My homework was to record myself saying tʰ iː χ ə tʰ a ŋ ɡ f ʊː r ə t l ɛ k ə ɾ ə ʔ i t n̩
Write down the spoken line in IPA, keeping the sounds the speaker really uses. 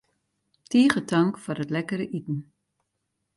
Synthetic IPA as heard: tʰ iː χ ə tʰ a ŋ k f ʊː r ə t l ɛ k ə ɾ ə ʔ i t n̩